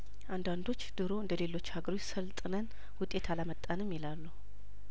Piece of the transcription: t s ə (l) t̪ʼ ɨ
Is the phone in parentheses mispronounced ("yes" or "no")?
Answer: no